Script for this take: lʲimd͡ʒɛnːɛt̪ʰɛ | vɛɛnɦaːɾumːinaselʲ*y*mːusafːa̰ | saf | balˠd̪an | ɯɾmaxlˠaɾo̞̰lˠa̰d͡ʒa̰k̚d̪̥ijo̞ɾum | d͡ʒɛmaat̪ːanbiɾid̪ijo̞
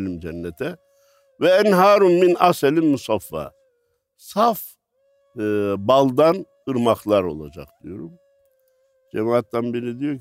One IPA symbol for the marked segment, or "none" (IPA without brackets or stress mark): i